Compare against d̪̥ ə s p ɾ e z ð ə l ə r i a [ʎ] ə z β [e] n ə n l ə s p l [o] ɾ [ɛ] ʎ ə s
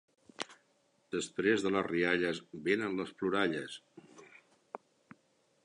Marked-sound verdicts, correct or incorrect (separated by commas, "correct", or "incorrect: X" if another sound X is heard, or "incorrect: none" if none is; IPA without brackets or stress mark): correct, correct, incorrect: u, incorrect: a